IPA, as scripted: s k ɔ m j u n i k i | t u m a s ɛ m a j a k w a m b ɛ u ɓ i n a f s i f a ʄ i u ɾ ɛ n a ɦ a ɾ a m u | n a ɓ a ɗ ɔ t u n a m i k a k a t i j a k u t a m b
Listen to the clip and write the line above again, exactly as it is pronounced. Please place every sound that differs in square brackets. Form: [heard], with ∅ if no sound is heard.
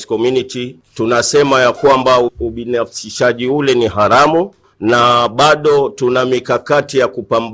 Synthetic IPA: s k ɔ m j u n i [t] i | t u [n] a s ɛ m a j a k w a m b [a] u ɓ i n a f s i [ʃ] a ʄ i u [l] ɛ n [i] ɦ a ɾ a m u | n a ɓ a ɗ ɔ t u n a m i k a k a t i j a k u [p] a m b